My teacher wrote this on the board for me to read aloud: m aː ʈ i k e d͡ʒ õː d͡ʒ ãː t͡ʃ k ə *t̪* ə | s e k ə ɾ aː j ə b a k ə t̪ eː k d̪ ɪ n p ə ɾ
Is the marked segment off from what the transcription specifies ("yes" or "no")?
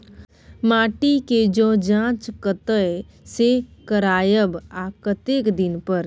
no